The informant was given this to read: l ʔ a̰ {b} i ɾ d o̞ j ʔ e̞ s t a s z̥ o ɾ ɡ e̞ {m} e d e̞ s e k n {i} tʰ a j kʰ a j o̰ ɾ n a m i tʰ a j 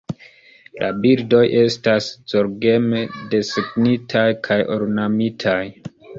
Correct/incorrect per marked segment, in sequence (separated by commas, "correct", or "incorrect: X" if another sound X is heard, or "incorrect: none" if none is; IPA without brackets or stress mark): correct, correct, correct